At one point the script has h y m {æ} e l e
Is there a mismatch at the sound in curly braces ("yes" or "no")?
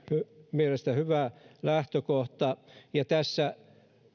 yes